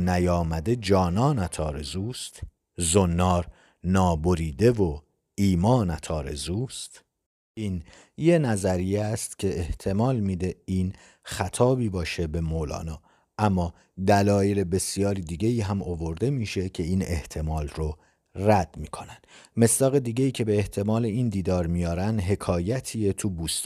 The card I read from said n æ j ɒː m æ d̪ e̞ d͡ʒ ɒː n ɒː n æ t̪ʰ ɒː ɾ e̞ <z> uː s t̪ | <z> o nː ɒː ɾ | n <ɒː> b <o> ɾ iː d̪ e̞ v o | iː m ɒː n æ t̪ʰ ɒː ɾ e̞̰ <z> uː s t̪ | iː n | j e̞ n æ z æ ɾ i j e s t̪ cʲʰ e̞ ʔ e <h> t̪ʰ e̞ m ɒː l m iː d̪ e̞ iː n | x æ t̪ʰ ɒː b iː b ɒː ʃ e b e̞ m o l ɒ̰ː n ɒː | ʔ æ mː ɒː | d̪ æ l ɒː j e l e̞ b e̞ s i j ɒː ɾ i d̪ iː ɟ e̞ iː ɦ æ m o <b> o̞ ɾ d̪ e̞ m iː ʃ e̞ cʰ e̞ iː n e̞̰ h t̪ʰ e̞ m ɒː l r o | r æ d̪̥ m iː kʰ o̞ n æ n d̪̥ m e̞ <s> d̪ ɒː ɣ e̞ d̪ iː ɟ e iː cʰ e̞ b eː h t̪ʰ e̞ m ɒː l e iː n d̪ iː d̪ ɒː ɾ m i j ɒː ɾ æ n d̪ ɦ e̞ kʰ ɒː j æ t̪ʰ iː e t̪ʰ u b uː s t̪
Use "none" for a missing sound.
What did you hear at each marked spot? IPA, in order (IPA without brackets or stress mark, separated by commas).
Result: z, z, ɒː, o, z, h, v, s